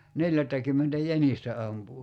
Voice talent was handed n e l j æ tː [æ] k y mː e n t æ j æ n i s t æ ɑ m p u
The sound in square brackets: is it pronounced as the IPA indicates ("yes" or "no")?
yes